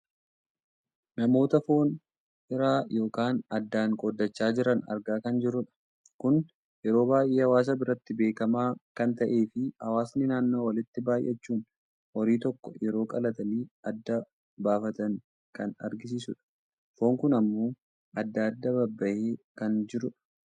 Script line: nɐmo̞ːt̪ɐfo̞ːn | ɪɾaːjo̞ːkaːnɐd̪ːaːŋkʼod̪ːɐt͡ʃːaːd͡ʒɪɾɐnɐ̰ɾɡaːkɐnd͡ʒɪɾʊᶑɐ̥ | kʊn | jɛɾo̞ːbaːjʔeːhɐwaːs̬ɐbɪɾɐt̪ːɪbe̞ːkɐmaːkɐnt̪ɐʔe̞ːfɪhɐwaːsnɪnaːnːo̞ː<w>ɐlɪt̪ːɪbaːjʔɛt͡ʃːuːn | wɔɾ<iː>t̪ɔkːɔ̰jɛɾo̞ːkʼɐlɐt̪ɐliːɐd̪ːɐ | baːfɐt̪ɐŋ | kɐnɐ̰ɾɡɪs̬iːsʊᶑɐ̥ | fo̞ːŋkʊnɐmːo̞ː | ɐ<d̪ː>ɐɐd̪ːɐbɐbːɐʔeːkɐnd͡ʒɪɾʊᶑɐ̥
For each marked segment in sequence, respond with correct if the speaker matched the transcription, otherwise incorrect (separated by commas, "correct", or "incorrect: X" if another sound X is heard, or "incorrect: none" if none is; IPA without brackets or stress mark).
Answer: correct, correct, correct